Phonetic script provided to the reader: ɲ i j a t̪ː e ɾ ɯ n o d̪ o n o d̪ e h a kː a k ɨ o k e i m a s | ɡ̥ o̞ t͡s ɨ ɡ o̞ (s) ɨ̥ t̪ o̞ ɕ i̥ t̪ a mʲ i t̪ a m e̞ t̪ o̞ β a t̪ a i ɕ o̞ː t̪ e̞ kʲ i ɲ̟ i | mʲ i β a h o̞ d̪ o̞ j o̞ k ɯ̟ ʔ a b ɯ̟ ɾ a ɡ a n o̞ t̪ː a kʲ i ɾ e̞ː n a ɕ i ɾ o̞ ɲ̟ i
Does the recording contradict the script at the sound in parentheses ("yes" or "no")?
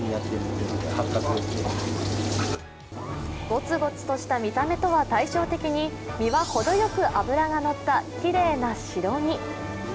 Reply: yes